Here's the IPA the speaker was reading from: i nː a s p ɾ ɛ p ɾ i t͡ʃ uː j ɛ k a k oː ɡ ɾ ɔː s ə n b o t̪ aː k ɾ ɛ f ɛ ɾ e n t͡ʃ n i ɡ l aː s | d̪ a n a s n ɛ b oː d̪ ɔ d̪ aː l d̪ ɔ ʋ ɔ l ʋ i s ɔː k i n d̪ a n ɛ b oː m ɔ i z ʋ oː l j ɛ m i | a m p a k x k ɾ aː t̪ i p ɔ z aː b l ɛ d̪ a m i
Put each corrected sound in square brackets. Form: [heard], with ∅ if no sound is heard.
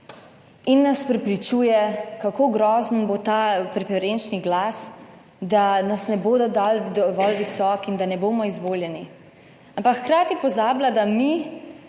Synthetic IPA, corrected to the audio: i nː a s p ɾ ɛ p ɾ i t͡ʃ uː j ɛ k a k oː ɡ ɾ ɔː [z] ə n b o t̪ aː [p] ɾ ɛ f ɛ ɾ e n t͡ʃ n i ɡ l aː s | d̪ a n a s n ɛ b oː d̪ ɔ d̪ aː l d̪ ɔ ʋ ɔ l ʋ i s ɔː k i n d̪ a n ɛ b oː m ɔ i z ʋ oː l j ɛ [n] i | a m p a k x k ɾ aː t̪ i p ɔ z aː b l [a] d̪ a m i